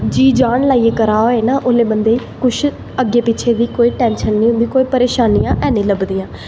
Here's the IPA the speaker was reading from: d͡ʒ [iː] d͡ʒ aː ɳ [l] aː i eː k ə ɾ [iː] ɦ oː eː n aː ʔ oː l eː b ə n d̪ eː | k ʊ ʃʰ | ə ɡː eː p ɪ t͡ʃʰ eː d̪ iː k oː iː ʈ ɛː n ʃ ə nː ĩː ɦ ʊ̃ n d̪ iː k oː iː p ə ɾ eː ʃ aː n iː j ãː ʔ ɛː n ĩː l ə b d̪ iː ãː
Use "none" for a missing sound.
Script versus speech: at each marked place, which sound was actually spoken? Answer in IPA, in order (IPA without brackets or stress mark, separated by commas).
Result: iː, l, aː